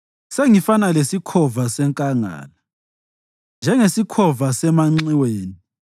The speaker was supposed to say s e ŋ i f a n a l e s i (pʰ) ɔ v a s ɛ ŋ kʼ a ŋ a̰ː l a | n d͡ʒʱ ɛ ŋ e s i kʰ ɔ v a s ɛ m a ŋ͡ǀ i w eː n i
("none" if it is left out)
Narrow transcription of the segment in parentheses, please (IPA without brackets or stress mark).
kʰ